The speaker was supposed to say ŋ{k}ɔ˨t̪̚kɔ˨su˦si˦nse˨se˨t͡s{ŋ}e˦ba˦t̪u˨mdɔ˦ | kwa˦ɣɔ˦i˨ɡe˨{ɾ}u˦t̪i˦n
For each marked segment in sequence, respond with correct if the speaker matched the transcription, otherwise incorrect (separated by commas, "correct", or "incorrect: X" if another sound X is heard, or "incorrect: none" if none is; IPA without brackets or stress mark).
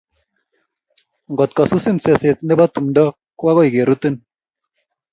incorrect: ɡ, incorrect: n, correct